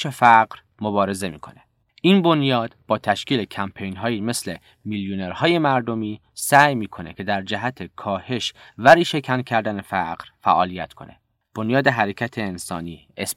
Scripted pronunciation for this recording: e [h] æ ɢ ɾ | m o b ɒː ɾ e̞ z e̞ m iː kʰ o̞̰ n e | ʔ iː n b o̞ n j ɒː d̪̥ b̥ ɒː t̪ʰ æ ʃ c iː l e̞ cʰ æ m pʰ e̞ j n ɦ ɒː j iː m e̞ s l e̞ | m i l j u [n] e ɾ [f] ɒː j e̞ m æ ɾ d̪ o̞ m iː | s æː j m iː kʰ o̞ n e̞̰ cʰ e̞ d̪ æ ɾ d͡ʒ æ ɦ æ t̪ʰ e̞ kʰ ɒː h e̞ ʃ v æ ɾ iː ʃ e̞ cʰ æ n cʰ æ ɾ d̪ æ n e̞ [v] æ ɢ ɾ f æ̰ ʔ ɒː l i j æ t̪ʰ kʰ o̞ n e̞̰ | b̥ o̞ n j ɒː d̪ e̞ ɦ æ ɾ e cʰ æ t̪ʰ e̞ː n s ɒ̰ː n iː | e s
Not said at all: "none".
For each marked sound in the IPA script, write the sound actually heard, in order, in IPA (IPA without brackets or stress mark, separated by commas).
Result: f, n, h, f